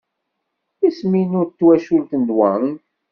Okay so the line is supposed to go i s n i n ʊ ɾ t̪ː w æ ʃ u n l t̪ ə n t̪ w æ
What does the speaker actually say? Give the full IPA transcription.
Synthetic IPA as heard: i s m i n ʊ ɾ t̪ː w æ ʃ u l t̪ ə n d̪ w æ